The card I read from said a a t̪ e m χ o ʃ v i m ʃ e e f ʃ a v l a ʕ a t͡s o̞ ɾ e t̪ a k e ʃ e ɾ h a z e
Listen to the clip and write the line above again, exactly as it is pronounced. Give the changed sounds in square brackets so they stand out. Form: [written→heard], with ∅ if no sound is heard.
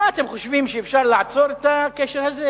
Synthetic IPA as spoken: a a t̪ e m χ o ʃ v i m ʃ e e f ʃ a [v→ʁ] l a ʕ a t͡s o̞ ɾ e t̪ a k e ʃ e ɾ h a z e

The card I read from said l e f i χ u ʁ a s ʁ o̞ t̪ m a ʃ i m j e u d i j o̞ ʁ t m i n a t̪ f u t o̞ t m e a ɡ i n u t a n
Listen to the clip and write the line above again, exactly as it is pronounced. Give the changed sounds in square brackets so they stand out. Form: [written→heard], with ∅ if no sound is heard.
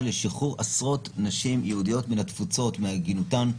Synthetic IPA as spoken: l e [f→ʃ] i χ u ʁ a s ʁ o̞ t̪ [m→n] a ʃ i m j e u d i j o̞ [ʁ→∅] t m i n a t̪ f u [t→t͡s] o̞ t m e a ɡ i n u t a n

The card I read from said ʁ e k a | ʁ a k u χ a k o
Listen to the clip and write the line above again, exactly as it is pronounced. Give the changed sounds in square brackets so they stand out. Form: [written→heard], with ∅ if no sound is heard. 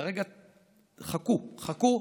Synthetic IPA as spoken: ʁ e [k→ɡ] a | [ʁ→χ] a k u χ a k [o→u]

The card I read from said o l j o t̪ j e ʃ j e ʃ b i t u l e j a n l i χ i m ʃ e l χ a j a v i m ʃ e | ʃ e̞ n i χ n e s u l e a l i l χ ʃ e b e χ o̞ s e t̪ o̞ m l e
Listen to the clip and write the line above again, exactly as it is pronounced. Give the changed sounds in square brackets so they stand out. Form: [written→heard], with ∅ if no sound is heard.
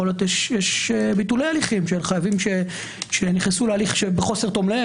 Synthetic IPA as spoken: o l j o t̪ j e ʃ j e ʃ b i t u l e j a [n→∅] l i χ i m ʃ e l χ a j a v i m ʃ e | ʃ e̞ n i χ n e s u l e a l i [l→∅] χ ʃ e b e χ o̞ s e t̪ o̞ m l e

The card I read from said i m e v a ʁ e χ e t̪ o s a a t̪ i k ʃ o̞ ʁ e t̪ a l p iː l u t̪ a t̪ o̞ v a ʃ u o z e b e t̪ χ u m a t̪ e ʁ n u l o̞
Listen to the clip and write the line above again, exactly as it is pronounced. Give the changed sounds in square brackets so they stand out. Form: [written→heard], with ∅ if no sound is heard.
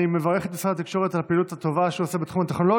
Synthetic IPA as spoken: i m e v a ʁ e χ e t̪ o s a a t̪ i k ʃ o̞ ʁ e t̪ a l p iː l u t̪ a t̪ o̞ v a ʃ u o [z→s] e b e t̪ χ u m a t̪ e [ʁ→χ] n [u→o] l o̞

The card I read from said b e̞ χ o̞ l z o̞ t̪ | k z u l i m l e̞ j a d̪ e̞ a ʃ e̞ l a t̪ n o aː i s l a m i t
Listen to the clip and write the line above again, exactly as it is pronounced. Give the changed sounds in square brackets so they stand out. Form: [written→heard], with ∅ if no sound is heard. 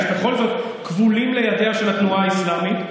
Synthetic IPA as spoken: b e̞ χ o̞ l z o̞ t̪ | k [z→v] u l i m l e̞ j a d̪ e̞ a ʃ e̞ l a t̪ n [o→u] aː i s l a m i t

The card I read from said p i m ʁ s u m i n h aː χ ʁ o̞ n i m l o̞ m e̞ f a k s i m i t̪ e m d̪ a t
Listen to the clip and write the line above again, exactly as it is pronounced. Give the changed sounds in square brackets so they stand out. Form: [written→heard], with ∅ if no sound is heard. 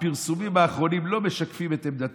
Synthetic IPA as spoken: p i [m→∅] ʁ s u m i [n→m] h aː χ ʁ o̞ n i m l o̞ m e̞ [f→ʃ] a k [s→f] i m [i→e] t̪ e m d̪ a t

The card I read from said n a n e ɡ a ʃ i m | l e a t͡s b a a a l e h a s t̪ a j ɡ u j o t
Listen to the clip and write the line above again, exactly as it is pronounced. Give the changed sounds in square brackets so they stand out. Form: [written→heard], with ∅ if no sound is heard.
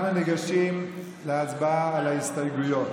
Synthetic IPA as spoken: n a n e ɡ a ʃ i m | l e a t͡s b a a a l [e→a] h [a→i] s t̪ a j ɡ u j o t

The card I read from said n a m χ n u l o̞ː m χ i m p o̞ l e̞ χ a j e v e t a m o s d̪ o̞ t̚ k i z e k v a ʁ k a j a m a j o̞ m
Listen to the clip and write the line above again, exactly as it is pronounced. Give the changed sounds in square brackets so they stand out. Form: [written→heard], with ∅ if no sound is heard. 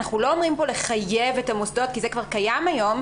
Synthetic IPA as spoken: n a [m→∅] χ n u l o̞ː m [χ→ʁ] i m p o̞ l e̞ χ a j e v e t a m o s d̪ o̞ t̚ k i z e k v a ʁ k a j a m a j o̞ m

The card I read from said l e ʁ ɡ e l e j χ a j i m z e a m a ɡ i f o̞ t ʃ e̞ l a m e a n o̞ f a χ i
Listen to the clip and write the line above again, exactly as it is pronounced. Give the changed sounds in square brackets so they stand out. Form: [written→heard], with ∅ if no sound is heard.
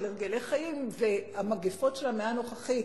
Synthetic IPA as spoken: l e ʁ ɡ e l e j χ a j i m [z→v] e a m a ɡ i f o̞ t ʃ e̞ l a m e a n o̞ [f→χ] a χ i

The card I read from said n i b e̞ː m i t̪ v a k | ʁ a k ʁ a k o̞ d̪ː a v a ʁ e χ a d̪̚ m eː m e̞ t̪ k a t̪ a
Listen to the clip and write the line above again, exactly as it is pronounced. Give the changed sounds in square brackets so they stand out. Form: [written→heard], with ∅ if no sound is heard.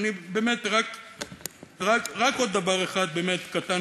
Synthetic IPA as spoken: n i b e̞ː m [i→e] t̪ [v→ʁ] a k | ʁ a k ʁ a k o̞ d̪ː a v a ʁ e χ a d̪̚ [m→b] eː m e̞ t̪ k a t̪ a

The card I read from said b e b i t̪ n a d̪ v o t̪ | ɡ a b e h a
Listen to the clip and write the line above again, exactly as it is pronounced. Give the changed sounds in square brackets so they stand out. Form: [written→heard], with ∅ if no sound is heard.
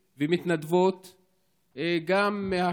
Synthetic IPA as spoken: [b→v] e [b→m] i t̪ n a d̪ v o t̪ | ɡ a [b→m] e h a

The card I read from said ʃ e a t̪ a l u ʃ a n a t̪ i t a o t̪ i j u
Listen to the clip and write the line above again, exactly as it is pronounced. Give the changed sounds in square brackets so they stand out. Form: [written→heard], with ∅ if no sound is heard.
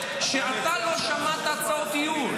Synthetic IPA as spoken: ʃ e a t̪ a l [u→o] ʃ a [n→m] a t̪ [i→a] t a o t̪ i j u

